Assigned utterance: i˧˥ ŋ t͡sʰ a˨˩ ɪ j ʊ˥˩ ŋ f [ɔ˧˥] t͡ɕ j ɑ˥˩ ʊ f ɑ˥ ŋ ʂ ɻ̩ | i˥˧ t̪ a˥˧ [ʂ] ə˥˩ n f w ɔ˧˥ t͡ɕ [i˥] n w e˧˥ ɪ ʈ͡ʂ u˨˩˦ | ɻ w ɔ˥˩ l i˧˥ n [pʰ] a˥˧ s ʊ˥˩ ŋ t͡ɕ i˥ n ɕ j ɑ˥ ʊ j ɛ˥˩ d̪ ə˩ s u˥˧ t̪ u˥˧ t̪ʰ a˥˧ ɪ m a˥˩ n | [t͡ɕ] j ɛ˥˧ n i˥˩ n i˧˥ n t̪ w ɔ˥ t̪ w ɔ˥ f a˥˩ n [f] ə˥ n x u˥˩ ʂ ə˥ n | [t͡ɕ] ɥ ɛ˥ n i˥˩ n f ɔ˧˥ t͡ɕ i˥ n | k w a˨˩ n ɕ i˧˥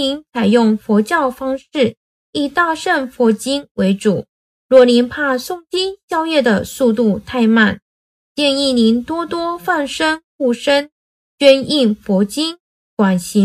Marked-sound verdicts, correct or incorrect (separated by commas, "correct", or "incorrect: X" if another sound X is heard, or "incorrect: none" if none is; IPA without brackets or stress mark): correct, correct, correct, correct, correct, incorrect: ʂ, correct